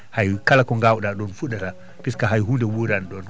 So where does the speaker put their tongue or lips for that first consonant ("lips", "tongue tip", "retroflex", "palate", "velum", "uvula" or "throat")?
throat